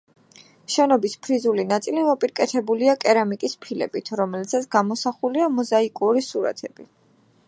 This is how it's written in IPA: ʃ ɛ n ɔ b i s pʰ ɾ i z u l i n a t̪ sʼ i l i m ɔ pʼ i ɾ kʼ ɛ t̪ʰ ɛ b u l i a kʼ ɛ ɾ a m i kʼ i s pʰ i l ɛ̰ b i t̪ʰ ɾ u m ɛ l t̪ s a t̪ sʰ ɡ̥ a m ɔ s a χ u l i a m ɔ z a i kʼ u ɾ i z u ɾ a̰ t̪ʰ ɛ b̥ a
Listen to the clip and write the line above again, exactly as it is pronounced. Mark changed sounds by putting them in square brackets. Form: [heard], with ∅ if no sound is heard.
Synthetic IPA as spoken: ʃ ɛ n ɔ b i s pʰ ɾ i z u l i n a t̪ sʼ i l i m ɔ pʼ i ɾ kʼ ɛ t̪ʰ ɛ b u l i a kʼ ɛ ɾ a m i kʼ i s pʰ i l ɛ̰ b i t̪ʰ ɾ [ɔ] m ɛ l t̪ s a t̪ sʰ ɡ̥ a m ɔ s a χ u l i a m ɔ z a i kʼ u ɾ i [s] u ɾ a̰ t̪ʰ ɛ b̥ [i]